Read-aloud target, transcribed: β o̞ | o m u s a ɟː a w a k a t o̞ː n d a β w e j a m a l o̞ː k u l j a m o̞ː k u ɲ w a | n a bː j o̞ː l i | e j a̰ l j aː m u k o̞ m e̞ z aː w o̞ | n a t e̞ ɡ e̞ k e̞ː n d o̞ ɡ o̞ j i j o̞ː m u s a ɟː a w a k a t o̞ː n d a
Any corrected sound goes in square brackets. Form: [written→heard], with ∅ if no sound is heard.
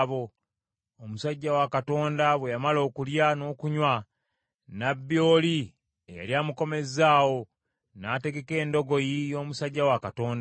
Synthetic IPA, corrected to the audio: β o̞ | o m u s a ɟː a w a k a t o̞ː n d a β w e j a m a l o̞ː k u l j a [m→n] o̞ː k u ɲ w a | n a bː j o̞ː l i | e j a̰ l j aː m u k o̞ m e̞ z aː w o̞ | n a t e̞ ɡ e̞ k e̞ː n d o̞ ɡ o̞ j i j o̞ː m u s a ɟː a w a k a t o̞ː n d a